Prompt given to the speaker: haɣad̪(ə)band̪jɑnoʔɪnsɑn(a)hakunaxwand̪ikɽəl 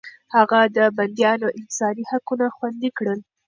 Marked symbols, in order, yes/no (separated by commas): yes, no